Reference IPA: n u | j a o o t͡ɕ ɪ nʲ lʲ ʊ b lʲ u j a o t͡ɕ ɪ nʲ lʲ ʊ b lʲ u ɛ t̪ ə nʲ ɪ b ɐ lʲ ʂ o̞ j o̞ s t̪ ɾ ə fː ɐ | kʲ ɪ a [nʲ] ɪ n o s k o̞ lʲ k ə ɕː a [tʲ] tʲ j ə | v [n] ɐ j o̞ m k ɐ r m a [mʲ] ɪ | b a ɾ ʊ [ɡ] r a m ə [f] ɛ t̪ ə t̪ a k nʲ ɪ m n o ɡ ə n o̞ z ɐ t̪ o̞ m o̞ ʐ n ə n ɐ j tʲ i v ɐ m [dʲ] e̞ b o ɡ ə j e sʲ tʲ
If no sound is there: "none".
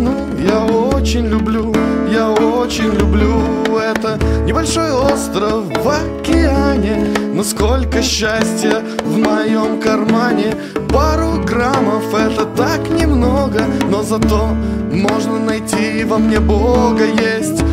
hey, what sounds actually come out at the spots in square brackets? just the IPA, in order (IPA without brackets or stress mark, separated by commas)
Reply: nʲ, sʲ, m, nʲ, ɡ, f, nʲ